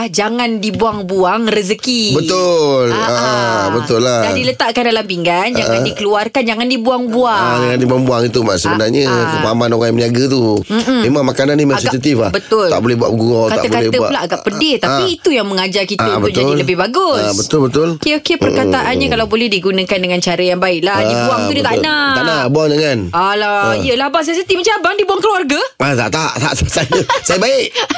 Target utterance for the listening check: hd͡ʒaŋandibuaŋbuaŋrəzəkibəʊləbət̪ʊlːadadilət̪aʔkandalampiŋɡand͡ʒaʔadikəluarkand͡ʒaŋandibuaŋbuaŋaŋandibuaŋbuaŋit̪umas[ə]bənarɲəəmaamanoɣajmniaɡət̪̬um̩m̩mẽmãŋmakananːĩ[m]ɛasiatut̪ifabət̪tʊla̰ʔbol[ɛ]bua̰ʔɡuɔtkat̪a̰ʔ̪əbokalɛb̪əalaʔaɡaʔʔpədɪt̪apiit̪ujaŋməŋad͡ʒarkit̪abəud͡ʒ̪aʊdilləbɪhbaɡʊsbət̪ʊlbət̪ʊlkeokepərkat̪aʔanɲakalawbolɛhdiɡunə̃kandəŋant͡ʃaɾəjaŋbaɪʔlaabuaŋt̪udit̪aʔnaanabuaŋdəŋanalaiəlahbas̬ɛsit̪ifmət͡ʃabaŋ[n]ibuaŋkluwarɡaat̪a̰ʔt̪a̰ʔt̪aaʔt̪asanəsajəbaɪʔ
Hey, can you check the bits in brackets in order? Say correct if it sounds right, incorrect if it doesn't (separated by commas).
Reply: correct, correct, correct, incorrect